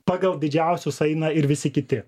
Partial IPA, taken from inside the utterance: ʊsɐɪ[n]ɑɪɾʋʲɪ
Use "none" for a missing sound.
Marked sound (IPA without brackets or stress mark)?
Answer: n